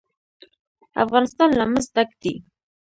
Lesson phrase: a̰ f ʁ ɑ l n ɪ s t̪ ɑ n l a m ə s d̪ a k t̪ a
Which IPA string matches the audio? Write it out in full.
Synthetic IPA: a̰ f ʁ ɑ n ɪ s t̪ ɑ n l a m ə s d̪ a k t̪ i